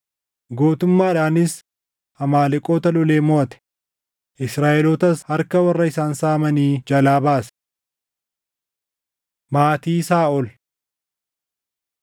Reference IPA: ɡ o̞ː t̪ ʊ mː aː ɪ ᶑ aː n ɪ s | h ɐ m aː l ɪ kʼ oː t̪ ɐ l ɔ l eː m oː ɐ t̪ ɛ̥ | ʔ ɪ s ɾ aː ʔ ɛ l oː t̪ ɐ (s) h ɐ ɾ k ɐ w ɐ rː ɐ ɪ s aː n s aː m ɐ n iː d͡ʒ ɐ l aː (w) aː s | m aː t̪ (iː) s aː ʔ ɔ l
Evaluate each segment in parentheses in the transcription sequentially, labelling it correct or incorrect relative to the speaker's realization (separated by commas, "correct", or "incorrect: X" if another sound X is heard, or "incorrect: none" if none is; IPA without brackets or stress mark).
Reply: correct, incorrect: b, correct